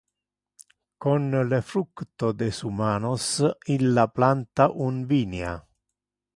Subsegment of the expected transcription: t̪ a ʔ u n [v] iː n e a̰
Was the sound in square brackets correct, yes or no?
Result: yes